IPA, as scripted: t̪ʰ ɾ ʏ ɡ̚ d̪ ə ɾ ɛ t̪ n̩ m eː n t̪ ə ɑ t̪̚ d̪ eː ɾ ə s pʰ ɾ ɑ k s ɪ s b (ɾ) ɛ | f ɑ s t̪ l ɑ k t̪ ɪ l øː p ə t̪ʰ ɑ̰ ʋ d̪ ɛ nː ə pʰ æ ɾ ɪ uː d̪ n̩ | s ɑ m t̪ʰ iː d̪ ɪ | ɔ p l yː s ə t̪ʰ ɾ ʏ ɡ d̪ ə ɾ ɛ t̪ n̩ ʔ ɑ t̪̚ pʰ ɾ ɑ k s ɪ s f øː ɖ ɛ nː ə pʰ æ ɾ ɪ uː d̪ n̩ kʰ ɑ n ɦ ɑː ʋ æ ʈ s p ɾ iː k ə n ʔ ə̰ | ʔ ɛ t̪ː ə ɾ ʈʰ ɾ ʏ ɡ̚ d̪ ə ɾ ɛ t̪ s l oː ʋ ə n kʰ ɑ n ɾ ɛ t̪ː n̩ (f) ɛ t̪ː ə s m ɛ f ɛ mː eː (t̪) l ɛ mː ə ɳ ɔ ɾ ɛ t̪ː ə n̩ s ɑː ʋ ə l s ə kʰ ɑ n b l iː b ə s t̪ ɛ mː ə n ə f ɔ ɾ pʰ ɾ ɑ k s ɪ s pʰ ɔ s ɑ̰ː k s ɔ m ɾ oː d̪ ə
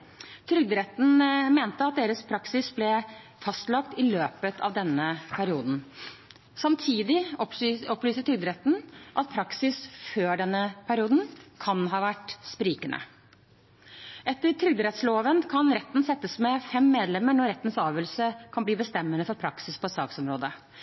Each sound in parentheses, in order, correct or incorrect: incorrect, incorrect, incorrect

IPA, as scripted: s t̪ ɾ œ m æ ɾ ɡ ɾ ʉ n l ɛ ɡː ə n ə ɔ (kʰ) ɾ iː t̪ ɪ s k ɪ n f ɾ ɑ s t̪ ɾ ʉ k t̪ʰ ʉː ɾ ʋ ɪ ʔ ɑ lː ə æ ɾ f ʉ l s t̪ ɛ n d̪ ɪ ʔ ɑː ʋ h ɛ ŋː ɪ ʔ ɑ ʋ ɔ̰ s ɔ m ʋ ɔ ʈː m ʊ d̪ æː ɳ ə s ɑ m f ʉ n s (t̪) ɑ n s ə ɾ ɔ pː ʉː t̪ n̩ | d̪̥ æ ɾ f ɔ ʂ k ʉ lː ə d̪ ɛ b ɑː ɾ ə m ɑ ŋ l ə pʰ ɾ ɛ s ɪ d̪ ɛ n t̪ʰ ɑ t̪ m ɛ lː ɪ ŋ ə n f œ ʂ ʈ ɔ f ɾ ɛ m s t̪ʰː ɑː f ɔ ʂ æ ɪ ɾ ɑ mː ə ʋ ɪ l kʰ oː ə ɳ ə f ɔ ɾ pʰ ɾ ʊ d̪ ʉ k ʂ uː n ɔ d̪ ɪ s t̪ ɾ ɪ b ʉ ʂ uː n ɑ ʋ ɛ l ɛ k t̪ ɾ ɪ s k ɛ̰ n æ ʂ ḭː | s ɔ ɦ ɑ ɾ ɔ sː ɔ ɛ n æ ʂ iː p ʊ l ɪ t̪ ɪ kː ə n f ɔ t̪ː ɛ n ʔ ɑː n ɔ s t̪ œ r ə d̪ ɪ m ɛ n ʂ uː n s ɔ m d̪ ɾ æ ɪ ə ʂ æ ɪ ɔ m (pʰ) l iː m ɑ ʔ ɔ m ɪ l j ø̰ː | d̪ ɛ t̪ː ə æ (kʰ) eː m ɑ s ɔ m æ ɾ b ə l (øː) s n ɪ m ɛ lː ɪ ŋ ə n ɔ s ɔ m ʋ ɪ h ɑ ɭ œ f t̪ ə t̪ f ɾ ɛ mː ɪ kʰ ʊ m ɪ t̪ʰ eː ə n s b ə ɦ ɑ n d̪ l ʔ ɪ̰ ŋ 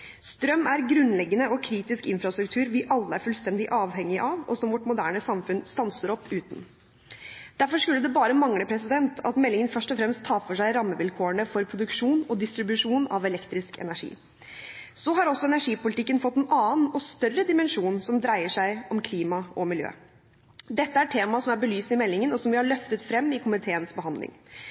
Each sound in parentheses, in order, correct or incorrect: correct, correct, incorrect, incorrect, incorrect

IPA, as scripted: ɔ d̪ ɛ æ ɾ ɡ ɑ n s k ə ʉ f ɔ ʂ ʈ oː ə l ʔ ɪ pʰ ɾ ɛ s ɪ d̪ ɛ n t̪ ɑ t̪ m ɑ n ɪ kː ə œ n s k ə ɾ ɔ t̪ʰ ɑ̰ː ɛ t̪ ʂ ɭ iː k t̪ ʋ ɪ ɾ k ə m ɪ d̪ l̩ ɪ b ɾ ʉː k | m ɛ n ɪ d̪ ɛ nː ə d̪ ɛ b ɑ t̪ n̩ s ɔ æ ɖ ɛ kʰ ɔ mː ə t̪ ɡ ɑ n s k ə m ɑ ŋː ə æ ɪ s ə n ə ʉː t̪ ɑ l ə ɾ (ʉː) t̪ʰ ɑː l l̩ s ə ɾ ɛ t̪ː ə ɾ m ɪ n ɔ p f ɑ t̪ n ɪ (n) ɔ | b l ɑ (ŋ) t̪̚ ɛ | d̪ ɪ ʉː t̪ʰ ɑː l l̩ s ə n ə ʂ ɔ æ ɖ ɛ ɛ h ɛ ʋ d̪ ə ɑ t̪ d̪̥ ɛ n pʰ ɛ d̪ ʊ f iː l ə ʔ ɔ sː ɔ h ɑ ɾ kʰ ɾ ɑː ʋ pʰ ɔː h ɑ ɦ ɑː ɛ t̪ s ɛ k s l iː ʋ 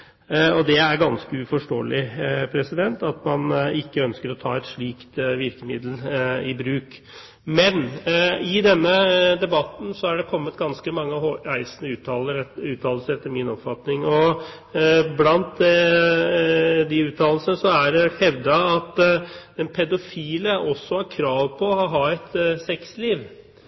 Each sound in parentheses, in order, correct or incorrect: correct, incorrect, incorrect

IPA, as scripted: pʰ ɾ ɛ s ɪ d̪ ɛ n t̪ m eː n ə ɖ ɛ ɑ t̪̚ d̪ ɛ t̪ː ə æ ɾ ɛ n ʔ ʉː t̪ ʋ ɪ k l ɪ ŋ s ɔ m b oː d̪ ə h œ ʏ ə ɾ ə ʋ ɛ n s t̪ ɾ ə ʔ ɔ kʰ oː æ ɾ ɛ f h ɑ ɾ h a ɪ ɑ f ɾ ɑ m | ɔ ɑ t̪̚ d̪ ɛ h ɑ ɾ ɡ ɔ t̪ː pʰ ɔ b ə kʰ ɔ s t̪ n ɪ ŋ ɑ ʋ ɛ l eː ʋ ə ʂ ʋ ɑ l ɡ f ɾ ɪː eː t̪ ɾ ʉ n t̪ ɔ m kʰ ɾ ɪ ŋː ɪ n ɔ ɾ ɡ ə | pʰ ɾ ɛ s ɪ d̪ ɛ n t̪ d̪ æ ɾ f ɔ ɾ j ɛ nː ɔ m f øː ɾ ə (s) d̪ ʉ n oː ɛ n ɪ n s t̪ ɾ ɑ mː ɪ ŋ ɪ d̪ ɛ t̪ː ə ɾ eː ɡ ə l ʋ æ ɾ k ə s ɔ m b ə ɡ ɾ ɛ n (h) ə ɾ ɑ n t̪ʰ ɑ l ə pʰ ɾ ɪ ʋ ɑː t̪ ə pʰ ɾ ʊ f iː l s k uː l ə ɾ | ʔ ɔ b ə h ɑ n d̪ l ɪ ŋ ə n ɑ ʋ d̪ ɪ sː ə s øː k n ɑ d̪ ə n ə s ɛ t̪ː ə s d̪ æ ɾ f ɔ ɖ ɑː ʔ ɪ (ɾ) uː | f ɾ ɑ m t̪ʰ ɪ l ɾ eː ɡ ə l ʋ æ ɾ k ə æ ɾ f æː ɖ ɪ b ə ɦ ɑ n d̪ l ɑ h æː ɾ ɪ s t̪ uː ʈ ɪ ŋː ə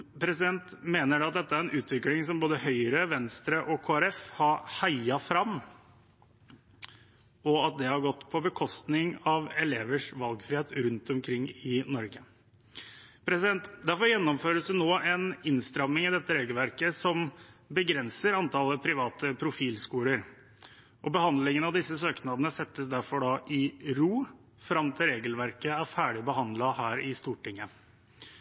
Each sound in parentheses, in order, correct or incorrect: correct, incorrect, correct

